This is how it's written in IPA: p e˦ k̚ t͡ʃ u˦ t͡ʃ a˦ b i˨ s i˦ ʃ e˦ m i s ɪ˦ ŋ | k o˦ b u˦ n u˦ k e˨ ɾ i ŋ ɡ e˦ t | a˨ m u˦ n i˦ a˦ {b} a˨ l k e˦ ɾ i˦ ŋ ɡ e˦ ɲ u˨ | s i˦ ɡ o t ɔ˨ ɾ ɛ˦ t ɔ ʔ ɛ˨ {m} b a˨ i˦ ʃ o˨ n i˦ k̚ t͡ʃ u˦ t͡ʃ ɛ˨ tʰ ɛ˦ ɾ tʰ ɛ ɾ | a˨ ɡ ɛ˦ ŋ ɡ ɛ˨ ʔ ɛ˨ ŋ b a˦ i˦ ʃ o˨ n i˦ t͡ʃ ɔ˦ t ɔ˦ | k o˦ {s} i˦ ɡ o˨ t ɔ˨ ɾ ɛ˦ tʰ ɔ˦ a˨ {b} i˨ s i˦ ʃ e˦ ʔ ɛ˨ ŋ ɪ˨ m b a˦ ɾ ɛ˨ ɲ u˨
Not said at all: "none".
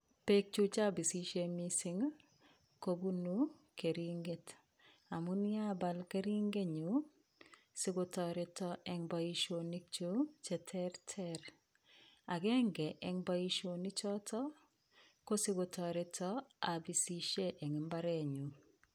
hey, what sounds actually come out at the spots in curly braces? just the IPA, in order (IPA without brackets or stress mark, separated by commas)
b, ŋ, s, b